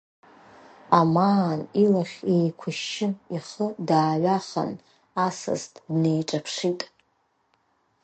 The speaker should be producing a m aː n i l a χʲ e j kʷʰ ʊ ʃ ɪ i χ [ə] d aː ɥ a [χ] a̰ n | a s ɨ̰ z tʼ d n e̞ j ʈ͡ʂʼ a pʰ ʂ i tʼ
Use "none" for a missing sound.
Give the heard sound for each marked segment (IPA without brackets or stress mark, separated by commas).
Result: ə, χ